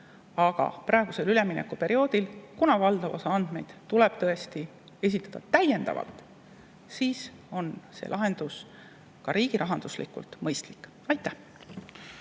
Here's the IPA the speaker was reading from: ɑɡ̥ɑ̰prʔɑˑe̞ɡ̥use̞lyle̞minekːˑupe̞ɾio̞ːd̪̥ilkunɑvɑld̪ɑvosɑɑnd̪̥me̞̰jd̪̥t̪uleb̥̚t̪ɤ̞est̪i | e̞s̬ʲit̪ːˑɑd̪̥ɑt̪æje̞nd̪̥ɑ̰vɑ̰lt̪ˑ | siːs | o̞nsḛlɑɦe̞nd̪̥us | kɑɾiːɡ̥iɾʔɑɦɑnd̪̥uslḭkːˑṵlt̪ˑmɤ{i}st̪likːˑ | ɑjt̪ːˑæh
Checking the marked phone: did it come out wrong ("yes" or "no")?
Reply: yes